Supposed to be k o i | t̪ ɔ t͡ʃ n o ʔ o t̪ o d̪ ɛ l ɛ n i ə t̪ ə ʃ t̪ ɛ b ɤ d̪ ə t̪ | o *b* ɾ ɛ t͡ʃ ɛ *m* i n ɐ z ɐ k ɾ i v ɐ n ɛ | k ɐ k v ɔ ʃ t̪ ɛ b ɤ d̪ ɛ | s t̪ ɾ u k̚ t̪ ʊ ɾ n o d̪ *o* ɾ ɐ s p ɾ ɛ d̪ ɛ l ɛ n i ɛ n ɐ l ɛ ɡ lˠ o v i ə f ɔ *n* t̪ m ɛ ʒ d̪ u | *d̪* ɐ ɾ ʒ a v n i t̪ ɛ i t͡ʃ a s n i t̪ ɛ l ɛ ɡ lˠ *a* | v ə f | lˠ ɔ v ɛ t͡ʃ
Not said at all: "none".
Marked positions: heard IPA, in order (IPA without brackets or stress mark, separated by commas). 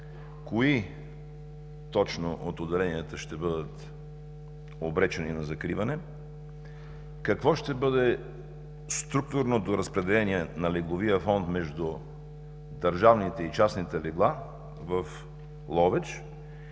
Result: b, n, o, n, d̪, a